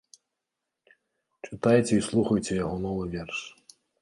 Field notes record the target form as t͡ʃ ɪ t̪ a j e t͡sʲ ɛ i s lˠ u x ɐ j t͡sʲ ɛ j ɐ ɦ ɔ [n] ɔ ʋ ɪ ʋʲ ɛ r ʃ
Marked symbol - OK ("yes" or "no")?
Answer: yes